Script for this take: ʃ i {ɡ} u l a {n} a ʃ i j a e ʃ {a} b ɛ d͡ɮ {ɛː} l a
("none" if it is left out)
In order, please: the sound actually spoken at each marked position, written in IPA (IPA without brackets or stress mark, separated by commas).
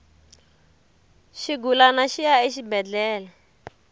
ɡ, n, i, ɛː